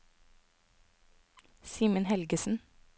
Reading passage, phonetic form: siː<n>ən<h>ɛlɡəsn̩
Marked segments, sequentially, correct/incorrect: incorrect: m, correct

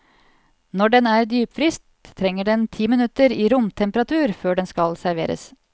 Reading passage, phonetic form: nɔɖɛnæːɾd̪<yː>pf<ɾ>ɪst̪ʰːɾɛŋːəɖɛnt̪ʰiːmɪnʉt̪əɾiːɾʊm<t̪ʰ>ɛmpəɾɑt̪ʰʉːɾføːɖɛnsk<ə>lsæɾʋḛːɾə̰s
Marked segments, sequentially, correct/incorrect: correct, correct, correct, incorrect: ɑ

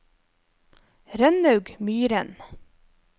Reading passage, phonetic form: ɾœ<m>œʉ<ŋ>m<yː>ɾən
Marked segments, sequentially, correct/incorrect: incorrect: n, incorrect: ɡ, correct

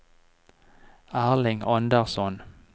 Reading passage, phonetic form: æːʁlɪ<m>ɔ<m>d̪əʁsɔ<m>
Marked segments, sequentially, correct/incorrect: incorrect: ŋ, incorrect: n, incorrect: n

